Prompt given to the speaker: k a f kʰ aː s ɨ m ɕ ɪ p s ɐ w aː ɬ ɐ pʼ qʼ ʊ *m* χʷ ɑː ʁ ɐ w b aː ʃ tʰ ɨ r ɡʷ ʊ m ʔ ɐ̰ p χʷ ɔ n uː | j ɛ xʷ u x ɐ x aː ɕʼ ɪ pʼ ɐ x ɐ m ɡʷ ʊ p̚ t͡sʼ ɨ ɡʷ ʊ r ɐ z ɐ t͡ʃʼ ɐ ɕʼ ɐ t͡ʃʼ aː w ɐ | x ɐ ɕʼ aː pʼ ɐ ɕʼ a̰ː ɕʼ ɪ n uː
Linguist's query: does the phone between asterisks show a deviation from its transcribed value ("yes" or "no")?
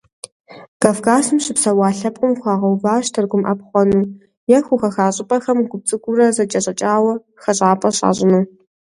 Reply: no